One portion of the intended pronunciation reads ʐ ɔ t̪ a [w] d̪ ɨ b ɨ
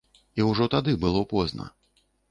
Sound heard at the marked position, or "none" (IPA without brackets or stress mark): none